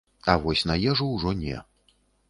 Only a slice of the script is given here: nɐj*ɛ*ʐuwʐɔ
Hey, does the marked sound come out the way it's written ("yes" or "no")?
yes